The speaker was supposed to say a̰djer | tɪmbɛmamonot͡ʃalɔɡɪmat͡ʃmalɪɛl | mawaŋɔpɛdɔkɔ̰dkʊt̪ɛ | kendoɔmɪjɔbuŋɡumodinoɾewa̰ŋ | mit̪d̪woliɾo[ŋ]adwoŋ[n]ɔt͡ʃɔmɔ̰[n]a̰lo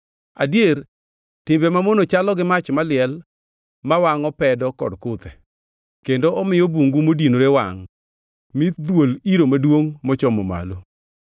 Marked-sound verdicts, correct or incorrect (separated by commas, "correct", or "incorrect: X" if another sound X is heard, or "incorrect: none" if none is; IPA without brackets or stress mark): incorrect: m, incorrect: m, incorrect: m